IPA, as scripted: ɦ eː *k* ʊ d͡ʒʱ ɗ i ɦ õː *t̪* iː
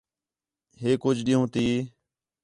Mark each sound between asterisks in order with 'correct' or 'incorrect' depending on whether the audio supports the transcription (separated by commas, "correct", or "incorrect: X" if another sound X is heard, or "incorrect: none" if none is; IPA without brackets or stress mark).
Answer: correct, correct